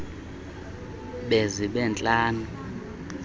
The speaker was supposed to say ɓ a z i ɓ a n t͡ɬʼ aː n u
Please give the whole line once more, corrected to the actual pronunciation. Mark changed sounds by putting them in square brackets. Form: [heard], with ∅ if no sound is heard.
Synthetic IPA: ɓ [e] z i ɓ [ɛ] n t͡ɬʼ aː n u